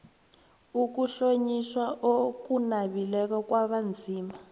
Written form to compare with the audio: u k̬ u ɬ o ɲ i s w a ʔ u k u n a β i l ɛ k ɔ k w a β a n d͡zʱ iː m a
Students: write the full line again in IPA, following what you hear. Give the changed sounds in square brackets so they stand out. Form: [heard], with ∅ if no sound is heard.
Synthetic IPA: u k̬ u ɬ o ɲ i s w a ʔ [o] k u n a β i l ɛ k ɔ k w a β a n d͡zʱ iː m a